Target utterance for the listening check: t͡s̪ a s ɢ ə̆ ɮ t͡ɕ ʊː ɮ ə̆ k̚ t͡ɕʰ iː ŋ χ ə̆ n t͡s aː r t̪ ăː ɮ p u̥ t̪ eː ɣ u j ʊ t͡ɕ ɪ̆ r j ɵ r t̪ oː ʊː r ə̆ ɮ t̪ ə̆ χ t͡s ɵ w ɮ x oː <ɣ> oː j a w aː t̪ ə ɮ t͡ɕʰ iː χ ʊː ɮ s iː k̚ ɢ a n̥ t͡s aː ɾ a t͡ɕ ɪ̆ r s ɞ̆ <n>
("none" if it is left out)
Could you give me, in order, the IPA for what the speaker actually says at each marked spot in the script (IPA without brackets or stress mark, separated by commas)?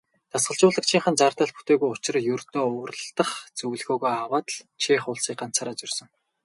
ɣ, ŋ